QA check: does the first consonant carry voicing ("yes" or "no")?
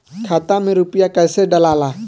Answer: no